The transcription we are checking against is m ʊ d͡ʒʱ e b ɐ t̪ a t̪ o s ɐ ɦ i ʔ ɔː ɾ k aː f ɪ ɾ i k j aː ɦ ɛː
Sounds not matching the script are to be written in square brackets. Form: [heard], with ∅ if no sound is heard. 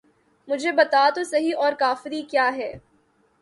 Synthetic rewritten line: m ʊ d͡ʒʱ e b ɐ t̪ a t̪ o s ɐ ɦ i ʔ ɔː ɾ k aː f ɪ ɾ i k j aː ɦ ɛː